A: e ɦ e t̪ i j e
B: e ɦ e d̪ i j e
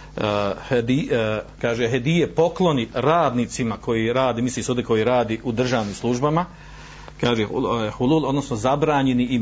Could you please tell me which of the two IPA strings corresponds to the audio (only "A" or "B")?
B